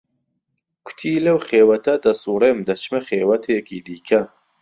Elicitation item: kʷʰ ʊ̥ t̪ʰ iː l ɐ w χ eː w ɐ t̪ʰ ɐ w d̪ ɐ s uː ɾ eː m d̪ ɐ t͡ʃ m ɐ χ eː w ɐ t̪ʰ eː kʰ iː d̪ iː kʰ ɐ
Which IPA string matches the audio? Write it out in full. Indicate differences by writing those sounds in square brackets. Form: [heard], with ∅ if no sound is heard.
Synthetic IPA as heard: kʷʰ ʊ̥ t̪ʰ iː l ɐ w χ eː w ɐ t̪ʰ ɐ [∅] d̪ ɐ s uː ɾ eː m d̪ ɐ t͡ʃ m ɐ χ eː w ɐ t̪ʰ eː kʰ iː d̪ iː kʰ ɐ